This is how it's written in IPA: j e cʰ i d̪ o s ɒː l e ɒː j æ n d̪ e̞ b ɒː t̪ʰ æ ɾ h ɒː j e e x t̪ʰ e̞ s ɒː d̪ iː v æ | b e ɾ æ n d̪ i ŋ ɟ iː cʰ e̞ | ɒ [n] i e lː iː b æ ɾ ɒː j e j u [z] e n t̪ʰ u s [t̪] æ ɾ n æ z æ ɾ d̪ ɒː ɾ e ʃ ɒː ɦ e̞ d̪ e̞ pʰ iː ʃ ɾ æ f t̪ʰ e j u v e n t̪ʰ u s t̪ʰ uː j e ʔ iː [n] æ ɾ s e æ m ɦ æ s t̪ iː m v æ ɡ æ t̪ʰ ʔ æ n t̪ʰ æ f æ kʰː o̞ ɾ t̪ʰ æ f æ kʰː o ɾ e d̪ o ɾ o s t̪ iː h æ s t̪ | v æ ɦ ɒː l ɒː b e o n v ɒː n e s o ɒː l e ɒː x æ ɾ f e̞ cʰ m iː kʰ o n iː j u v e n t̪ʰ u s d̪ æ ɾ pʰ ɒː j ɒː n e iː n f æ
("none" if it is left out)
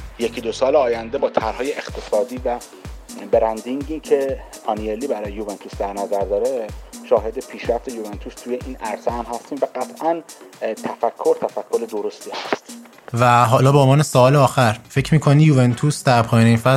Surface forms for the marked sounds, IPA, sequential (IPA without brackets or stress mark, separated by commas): n, v, d̪, n